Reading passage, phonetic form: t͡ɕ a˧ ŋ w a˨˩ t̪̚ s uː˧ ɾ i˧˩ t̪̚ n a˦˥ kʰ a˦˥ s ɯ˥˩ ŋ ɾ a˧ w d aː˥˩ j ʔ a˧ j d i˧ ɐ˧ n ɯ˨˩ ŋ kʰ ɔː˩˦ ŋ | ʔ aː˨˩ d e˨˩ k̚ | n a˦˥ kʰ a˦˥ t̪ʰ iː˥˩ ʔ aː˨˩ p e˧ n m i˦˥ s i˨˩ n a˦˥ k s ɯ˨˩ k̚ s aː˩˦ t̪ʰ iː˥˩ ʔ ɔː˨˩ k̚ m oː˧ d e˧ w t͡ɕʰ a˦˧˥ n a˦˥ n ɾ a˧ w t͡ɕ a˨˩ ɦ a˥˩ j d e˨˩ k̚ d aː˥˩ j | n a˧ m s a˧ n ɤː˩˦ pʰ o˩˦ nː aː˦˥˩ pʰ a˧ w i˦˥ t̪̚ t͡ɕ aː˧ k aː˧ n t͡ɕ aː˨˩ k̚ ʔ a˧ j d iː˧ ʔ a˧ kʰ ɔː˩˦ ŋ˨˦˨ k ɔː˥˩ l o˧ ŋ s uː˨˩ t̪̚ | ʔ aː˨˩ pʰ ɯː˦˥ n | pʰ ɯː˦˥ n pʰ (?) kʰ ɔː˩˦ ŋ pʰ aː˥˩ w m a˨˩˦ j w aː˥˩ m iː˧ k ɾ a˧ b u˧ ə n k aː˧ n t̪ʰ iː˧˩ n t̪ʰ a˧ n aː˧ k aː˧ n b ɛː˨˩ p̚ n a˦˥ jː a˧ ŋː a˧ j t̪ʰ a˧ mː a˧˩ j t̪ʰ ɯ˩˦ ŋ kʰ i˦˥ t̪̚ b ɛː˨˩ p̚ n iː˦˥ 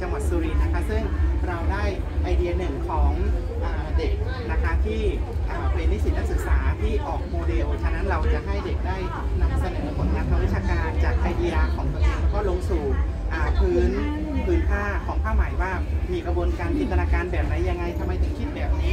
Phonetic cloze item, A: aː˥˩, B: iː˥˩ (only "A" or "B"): A